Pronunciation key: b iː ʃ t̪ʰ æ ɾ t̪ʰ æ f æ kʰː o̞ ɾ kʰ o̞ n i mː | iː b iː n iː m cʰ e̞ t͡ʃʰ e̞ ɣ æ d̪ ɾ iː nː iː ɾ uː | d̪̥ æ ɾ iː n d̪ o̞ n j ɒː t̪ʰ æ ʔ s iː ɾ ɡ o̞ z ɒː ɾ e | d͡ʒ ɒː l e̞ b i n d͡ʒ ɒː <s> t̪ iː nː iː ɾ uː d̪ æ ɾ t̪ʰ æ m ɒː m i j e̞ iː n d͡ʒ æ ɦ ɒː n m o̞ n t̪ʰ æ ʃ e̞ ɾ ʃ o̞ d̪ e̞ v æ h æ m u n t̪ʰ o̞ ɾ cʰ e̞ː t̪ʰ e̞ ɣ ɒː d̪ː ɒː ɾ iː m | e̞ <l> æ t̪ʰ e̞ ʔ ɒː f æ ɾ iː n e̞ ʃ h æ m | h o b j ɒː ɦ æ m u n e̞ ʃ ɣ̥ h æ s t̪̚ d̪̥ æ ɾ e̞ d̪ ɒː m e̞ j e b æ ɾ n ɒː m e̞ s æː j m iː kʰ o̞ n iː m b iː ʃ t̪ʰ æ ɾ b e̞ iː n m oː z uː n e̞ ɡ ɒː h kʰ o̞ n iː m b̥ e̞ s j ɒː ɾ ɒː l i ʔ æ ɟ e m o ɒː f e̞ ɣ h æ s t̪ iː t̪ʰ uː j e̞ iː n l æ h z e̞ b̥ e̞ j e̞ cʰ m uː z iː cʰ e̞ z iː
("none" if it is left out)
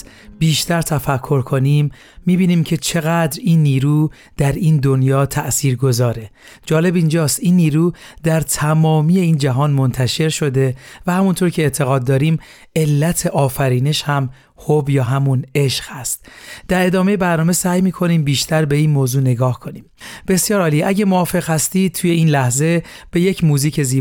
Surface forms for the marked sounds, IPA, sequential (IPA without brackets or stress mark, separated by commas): s, lː